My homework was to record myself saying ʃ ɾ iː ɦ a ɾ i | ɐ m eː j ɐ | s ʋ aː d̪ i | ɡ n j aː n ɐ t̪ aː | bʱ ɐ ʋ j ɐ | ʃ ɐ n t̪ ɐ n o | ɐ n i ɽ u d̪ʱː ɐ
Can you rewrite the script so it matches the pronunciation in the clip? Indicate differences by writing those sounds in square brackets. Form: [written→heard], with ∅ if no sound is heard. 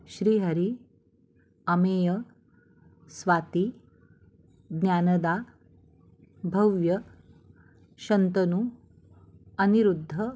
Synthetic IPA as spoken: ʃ ɾ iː ɦ [a→ɐ] ɾ i | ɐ m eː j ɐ | s ʋ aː [d̪→t̪] i | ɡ n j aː n ɐ [t̪→d̪] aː | bʱ ɐ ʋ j ɐ | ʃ ɐ n t̪ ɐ n [o→u] | ɐ n i [ɽ→ɾ] u d̪ʱː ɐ